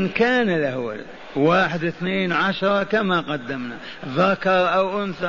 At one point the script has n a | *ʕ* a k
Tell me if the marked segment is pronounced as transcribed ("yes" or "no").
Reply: no